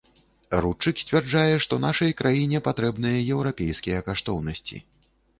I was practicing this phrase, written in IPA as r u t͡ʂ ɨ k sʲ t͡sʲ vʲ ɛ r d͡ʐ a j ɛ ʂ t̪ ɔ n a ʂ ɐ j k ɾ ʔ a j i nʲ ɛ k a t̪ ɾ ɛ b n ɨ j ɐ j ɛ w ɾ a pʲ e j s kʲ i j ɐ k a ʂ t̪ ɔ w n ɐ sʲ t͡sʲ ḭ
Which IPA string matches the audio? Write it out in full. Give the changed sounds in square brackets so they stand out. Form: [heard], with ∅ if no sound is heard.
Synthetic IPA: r u t͡ʂ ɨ k sʲ t͡sʲ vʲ ɛ r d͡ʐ a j ɛ ʂ t̪ ɔ n a ʂ ɐ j k ɾ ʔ a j i nʲ ɛ [p] a t̪ ɾ ɛ b n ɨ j ɐ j ɛ w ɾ a pʲ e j s kʲ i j ɐ k a ʂ t̪ ɔ w n ɐ sʲ t͡sʲ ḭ